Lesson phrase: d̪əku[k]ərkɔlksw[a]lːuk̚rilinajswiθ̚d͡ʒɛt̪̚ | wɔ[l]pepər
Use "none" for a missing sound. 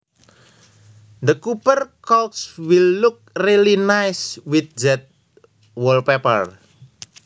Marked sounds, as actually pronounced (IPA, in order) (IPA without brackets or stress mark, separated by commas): p, i, l